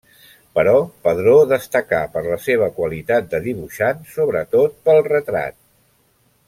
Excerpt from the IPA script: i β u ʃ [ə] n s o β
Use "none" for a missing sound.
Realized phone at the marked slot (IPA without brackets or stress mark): a